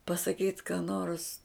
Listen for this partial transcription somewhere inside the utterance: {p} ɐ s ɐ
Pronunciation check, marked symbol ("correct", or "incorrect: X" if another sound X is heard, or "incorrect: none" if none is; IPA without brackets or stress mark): correct